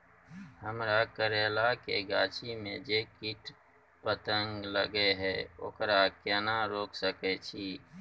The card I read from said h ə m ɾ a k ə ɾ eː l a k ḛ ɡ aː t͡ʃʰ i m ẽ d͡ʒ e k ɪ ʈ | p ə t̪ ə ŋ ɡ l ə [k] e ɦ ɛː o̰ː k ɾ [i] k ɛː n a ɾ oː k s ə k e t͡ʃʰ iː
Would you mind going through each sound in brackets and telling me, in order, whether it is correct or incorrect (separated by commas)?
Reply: incorrect, incorrect